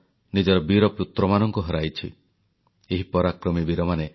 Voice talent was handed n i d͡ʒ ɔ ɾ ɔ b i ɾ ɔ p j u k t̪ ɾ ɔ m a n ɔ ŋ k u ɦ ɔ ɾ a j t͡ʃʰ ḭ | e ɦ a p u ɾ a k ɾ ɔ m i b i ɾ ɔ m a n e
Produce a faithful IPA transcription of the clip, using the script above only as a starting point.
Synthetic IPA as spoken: n i d͡ʒ ɔ ɾ ɔ b i ɾ ɔ p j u t̪ ɾ ɔ m a n ɔ ŋ k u ɦ ɔ ɾ a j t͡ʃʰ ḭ | e ɦ i p ɔ ɾ a k ɾ ɔ m i b i ɾ ɔ m a n e